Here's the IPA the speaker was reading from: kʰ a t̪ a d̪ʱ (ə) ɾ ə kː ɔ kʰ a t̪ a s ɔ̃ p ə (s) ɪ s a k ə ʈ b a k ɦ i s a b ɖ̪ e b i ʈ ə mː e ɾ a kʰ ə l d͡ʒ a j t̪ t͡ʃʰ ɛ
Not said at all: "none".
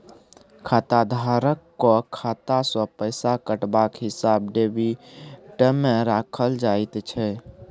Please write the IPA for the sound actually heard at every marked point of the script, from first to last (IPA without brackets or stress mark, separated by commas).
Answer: a, none